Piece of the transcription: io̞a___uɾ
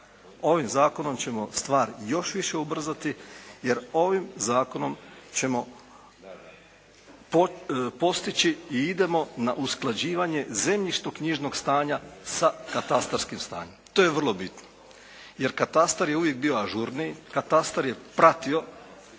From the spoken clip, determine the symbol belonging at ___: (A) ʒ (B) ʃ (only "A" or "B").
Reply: A